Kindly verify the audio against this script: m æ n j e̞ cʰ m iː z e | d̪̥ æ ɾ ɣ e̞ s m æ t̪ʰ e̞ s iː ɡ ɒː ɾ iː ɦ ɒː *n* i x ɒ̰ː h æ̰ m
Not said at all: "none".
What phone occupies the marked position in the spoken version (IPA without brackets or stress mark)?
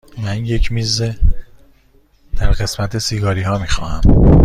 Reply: m